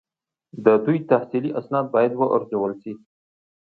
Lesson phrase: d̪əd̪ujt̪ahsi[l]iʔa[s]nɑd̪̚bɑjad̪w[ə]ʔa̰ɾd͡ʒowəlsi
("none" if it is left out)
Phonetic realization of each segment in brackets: l, s, ə

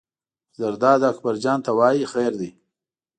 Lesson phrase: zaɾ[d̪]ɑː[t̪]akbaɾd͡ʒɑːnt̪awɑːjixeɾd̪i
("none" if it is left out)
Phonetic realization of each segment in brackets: d̪, d̪

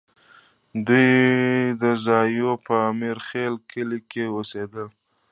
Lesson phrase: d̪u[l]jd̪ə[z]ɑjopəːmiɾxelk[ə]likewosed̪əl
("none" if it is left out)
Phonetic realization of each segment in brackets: none, z, ə

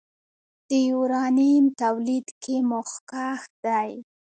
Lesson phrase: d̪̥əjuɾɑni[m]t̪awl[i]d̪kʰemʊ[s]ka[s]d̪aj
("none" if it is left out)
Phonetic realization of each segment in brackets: m, i, x, x

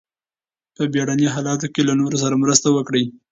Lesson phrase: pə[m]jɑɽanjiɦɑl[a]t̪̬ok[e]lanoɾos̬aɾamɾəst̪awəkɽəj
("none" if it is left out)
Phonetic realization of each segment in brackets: b, ɑ, e

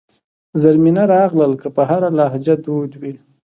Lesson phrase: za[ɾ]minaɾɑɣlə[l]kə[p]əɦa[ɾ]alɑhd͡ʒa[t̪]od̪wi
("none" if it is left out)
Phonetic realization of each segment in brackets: ɾ, l, p, ɾ, d̪

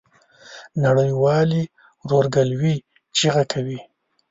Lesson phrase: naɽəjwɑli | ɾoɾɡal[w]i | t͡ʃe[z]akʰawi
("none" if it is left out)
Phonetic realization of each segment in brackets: w, ɣ

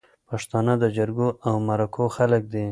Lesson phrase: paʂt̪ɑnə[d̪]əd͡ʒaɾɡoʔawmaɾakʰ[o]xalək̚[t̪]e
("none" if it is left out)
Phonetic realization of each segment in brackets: d̪, o, d̪

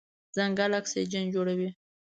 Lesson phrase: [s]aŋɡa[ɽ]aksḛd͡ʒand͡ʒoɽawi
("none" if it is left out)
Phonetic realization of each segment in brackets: z, l

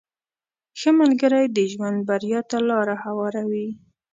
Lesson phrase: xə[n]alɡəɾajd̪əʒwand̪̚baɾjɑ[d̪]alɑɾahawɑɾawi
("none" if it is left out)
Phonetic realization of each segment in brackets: m, t̪

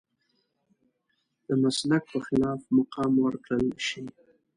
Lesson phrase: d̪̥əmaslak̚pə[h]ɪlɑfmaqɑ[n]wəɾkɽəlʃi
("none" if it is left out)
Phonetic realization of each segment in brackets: x, m

